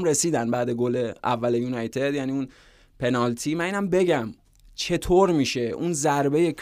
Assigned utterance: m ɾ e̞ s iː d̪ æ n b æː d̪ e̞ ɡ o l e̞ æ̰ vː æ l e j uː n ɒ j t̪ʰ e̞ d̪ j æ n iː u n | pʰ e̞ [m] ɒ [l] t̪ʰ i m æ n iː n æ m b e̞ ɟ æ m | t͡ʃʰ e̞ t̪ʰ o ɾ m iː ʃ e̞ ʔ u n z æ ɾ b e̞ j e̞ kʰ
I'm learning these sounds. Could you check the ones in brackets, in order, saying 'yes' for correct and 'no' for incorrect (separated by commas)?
no, yes